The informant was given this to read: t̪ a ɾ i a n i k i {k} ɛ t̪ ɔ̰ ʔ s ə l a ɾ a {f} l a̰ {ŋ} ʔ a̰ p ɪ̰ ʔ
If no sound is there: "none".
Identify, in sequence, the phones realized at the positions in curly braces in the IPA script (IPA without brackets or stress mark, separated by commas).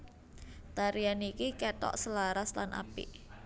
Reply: k, s, n